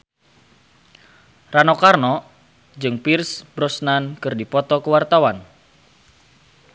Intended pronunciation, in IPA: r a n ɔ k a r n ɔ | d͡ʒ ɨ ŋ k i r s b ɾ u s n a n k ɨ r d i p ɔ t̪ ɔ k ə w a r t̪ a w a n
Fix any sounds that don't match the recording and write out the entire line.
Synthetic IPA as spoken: r a n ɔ k a r n ɔ | d͡ʒ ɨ ŋ p i r s b ɾ ɔ s n a n k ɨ r d i p ɔ t̪ ɔ k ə w a r t̪ a w a n